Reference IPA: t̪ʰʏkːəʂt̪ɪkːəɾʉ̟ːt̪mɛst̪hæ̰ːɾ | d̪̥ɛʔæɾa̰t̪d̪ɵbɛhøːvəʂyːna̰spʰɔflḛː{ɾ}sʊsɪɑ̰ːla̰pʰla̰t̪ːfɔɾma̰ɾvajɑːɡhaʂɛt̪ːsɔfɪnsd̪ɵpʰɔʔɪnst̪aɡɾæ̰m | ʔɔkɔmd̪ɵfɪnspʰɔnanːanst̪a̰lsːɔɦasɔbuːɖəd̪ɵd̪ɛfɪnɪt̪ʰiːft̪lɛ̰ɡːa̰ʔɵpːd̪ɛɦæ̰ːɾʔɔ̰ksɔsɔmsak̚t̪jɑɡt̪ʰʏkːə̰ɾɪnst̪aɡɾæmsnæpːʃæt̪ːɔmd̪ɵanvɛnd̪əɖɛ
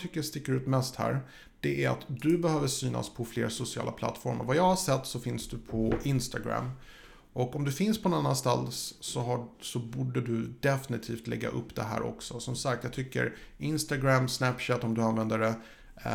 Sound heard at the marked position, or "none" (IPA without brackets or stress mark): ɾ